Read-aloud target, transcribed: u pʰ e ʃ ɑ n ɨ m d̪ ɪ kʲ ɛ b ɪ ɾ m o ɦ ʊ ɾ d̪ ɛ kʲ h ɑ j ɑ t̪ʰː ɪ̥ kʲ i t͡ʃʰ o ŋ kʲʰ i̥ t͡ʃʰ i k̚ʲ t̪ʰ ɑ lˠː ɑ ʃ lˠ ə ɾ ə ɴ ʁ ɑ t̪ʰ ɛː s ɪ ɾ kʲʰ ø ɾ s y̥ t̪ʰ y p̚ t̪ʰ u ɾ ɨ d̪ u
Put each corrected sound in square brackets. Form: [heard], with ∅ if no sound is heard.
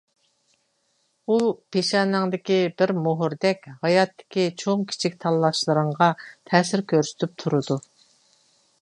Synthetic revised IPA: u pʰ e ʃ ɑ n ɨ [ŋ] d̪ ɪ kʲ [i] b ɪ ɾ m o ɦ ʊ ɾ d̪ ɛ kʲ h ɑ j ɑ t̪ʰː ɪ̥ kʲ i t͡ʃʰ o ŋ kʲʰ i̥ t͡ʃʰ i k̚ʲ t̪ʰ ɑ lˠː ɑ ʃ lˠ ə ɾ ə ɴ ʁ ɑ t̪ʰ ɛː s ɪ ɾ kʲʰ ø ɾ s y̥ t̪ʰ y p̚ t̪ʰ u ɾ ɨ d̪ u